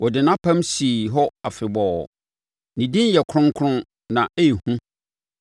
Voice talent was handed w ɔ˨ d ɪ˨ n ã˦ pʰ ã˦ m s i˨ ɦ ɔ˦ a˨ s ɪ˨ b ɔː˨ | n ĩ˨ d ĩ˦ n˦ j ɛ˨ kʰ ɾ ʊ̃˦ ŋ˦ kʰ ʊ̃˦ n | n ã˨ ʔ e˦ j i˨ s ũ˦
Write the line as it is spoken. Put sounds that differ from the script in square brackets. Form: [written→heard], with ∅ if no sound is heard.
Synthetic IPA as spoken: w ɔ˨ d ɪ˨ n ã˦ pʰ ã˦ m s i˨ ɦ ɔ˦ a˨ [s→f] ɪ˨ b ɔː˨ | n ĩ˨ d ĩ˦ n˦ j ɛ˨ kʰ ɾ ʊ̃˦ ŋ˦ kʰ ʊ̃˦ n | n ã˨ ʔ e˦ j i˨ [s→h] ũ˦

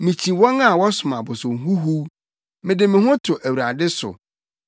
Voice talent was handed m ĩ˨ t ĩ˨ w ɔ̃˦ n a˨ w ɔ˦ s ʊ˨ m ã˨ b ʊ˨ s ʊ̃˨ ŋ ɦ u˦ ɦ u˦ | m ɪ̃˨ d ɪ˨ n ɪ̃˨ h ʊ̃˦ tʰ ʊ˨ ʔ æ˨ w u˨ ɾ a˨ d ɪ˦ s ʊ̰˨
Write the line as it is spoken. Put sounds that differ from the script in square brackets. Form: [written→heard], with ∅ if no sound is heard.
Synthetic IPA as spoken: m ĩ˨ [t→t͡ɕʰ] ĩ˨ w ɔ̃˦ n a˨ w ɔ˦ s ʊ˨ m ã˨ b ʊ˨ s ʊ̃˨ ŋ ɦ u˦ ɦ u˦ | m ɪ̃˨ d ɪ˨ [n→m] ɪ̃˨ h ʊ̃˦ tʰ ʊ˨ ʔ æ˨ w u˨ ɾ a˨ d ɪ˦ s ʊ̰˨

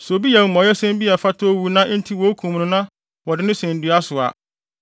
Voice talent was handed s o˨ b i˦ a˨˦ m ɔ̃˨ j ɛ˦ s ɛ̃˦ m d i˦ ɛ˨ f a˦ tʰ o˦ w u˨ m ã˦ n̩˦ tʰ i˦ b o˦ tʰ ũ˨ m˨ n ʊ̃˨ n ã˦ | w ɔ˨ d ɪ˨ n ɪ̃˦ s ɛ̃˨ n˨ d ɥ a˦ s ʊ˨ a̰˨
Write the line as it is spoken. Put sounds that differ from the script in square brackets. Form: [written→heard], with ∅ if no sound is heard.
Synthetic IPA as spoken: s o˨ b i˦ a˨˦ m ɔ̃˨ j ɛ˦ s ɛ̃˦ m [d→b] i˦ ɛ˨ f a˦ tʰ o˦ w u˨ [m→n] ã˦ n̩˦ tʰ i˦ [b→w] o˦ [tʰ→kʰ] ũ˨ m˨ n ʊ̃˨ n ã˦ | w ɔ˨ d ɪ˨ n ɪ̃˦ s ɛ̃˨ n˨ d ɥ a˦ s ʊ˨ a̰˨

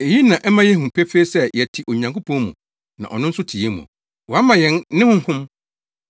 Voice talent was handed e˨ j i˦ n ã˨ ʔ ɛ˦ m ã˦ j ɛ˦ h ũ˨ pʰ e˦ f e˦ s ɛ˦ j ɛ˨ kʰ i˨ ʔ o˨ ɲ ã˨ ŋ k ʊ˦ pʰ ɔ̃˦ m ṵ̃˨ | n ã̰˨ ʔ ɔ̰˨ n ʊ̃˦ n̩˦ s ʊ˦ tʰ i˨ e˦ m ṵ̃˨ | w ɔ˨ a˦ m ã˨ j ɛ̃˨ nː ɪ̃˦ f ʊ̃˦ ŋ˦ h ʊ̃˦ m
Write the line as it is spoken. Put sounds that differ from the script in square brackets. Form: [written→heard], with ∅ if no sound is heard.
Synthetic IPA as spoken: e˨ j i˦ n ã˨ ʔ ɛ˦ m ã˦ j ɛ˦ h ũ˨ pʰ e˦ f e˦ s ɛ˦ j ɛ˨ [kʰ→tʰ] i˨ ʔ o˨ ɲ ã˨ ŋ k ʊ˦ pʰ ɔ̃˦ m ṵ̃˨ | n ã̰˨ ʔ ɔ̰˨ n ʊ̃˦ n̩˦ s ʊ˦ tʰ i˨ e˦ m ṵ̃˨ | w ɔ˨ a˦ m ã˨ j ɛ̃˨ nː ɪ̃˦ [f→h] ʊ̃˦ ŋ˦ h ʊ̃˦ m

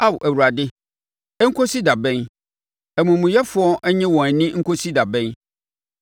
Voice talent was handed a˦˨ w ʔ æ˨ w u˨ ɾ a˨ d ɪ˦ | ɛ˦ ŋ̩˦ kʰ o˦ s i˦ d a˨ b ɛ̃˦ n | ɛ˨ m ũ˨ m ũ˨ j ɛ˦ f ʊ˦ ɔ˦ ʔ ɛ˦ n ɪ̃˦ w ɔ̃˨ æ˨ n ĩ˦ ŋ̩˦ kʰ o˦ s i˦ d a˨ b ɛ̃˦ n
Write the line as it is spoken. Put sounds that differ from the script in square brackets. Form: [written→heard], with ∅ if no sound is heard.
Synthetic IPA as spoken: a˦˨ w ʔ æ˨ w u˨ ɾ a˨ d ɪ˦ | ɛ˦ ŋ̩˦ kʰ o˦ s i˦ d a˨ b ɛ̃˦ n | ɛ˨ m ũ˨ m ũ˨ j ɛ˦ f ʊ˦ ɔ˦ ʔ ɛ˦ [n→ɲ] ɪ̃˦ w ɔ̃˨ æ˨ n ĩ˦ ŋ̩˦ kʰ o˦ s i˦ d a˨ b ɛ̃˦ n

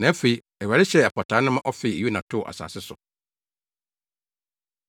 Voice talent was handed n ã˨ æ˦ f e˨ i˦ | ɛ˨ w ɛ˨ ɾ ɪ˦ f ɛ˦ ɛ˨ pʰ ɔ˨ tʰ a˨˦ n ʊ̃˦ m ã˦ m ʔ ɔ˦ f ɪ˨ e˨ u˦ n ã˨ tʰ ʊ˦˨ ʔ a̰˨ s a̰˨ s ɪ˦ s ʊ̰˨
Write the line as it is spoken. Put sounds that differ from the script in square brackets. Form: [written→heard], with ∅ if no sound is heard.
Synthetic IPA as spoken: n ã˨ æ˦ f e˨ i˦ | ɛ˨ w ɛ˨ ɾ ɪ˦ [f→ɕ] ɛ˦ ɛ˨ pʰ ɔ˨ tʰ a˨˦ n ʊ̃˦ m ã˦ [m→∅] ʔ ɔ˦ f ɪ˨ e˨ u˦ n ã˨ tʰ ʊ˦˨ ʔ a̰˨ s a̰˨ s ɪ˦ s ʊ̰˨

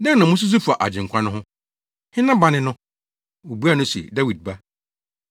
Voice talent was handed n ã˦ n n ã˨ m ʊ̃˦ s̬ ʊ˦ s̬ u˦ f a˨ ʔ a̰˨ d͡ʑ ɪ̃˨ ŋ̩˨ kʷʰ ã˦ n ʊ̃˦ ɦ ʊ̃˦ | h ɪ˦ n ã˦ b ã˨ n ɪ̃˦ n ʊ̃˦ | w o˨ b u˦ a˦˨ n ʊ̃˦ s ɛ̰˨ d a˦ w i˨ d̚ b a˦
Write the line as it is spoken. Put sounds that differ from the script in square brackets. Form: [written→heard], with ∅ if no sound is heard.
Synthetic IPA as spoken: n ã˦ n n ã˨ m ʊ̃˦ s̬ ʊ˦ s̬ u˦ f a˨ ʔ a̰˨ d͡ʑ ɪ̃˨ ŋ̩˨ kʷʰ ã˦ n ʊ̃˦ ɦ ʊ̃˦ | h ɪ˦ n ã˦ b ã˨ n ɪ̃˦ n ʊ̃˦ | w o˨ b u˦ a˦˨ n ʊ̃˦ s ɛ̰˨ d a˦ w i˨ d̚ b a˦

